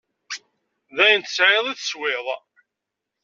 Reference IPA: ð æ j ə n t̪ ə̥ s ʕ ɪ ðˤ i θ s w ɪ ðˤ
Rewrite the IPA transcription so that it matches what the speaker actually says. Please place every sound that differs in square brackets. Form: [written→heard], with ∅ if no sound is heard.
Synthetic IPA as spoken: ð æ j ə n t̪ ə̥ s ʕ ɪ ðˤ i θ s w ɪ ðˤ